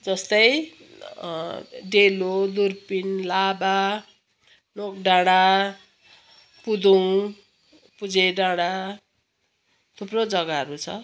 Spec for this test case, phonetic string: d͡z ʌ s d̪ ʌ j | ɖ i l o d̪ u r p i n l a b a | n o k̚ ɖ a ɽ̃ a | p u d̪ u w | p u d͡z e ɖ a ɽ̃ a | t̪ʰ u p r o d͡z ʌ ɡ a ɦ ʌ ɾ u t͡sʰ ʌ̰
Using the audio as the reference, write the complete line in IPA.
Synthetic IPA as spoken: d͡z ʌ s t̪ ʌ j | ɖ e l o d̪ u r p i n l a b a | n o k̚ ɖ a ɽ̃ a | p u d̪ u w | p u d͡z e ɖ a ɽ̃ a | t̪ʰ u p r o d͡z ʌ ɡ a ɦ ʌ ɾ u t͡sʰ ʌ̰

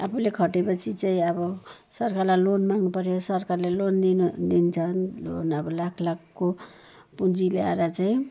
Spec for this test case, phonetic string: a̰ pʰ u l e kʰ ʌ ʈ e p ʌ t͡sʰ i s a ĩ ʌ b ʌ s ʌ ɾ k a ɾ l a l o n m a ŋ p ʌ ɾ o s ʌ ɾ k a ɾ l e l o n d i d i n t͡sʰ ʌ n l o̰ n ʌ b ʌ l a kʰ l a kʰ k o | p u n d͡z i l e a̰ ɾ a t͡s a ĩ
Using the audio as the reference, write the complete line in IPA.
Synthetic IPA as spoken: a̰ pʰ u l e kʰ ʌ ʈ e p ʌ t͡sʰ i t͡s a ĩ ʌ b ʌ s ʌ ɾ k a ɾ l a l o n m a ŋ p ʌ ɾ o s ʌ ɾ k a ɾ l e l o n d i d i n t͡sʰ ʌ n l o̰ n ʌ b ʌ l a kʰ l a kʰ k o | p u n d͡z i l e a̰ ɾ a t͡s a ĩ

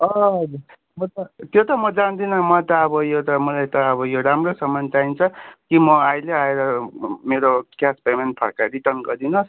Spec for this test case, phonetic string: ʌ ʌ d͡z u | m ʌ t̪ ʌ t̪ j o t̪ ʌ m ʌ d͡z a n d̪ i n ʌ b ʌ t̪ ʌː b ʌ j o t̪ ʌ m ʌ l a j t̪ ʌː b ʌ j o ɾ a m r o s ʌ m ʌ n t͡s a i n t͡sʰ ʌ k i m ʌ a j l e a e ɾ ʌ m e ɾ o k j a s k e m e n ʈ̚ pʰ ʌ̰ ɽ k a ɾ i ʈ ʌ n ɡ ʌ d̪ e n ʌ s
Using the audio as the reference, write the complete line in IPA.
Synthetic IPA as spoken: ʌ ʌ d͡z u | m ʌ t̪ ʌ t̪ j o t̪ ʌ m ʌ d͡z a n d̪ i n ʌ m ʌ t̪ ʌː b ʌ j o t̪ ʌ m ʌ l a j t̪ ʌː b ʌ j o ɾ a m r o s ʌ m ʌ n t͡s a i n t͡sʰ ʌ k i m ʌ a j l e a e ɾ ʌ m e ɾ o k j a s p e m e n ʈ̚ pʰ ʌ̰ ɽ k a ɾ i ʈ ʌ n ɡ ʌ d̪ i n ʌ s

